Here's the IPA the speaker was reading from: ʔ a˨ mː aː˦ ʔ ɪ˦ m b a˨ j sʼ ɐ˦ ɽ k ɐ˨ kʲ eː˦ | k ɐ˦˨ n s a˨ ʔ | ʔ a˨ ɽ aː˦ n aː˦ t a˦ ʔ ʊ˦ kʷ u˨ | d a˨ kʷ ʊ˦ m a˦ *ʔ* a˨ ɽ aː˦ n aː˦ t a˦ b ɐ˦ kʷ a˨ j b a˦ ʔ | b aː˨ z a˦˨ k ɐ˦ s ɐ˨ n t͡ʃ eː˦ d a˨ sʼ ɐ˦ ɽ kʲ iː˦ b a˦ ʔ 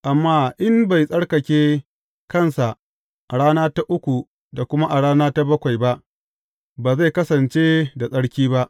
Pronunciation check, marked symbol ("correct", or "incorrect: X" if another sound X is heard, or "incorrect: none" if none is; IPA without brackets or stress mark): correct